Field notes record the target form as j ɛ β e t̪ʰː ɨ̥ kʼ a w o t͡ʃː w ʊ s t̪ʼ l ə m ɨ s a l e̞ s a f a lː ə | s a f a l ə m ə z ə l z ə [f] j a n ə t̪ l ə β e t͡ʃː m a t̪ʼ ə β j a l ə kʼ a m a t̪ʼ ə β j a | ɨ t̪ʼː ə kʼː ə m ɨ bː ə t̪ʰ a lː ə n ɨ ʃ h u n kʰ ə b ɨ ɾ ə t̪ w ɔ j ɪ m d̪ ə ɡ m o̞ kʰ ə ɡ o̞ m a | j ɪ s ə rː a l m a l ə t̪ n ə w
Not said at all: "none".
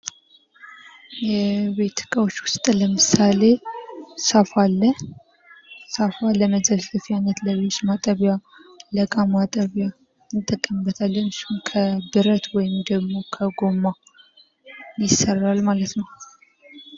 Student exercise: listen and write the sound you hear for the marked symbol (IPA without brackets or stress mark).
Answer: f